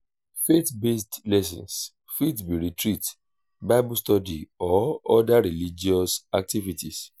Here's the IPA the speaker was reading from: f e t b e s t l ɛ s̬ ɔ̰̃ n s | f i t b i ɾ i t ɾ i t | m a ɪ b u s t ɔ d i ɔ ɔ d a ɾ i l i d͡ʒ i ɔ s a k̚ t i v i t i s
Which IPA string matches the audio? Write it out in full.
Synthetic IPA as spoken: f e t b e s t l ɛ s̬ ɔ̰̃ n s | f i t b i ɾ i t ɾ i t | b a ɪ b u s t ɔ d i ɔ ɔ d a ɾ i l i d͡ʒ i ɔ s a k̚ t i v i t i s